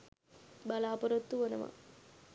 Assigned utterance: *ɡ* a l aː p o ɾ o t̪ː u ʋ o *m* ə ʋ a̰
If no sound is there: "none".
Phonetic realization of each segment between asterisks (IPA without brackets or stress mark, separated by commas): b, n